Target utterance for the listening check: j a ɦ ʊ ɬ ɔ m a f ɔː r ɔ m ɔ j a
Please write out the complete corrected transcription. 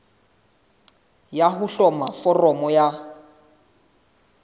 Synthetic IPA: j a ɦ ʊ ɬ ɔ m a f ɔ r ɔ m ɔ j a